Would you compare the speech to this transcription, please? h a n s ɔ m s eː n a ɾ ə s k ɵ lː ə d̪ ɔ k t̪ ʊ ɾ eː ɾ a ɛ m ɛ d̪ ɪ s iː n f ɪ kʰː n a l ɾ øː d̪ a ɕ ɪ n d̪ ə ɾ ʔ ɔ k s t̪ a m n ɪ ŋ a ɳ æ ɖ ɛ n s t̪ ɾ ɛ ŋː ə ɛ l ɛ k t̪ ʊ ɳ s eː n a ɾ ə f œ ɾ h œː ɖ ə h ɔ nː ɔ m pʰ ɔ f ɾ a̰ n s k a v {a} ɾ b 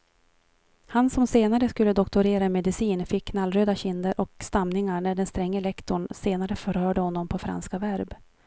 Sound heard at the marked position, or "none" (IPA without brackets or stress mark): æ